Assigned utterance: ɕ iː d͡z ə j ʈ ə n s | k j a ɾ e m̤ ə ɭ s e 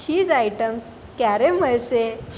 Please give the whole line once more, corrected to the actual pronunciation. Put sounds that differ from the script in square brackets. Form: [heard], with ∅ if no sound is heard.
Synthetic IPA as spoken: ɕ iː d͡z [a] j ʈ ə [m] s | k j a ɾ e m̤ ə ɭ s e